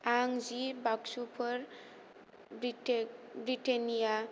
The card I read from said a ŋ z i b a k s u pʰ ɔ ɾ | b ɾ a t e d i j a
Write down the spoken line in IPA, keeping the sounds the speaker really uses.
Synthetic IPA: a ŋ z i b a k s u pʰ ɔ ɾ | b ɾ i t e n i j a